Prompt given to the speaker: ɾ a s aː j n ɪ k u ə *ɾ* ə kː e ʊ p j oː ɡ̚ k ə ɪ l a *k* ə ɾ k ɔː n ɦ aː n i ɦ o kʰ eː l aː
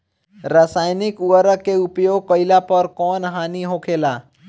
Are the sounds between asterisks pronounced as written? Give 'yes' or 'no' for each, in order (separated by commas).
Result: yes, no